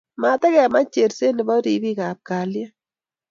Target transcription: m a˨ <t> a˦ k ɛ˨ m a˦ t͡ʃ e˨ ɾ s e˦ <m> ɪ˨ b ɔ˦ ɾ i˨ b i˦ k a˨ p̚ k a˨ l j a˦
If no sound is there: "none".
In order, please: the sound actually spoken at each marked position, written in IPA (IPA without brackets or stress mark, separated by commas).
t, n